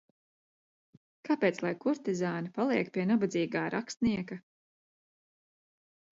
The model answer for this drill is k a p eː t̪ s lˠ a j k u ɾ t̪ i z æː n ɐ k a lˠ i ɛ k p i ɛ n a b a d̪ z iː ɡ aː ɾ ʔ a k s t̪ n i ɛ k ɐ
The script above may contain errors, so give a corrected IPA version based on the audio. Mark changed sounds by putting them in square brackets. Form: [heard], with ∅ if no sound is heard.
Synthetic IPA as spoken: k a p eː t̪ s lˠ a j k u ɾ t̪ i z [aː] n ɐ [p] a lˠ i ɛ k p i ɛ n a b a d̪ z iː ɡ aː ɾ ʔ a k s t̪ n i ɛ k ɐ